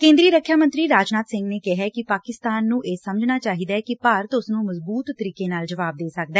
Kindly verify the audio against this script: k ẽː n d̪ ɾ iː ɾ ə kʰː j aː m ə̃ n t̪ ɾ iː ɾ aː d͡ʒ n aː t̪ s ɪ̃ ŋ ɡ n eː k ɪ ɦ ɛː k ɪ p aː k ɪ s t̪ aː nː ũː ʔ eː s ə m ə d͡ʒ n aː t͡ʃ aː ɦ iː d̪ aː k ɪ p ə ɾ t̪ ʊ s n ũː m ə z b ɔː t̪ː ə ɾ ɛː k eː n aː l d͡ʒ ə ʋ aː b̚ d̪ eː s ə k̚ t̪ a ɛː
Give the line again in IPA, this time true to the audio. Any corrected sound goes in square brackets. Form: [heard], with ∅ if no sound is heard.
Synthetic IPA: k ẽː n d̪ ɾ iː ɾ ə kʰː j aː m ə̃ n t̪ ɾ iː ɾ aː d͡ʒ n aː t̪ s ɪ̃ ŋ ɡ n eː k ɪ ɦ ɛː k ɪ p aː k ɪ s t̪ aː nː ũː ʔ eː s ə m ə d͡ʒ n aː t͡ʃ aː ɦ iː d̪ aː k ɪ p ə ɾ t̪ ʊ s n ũː m ə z b [uː] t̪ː ə ɾ [iː] k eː n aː l d͡ʒ ə ʋ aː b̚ d̪ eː s ə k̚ [d̪] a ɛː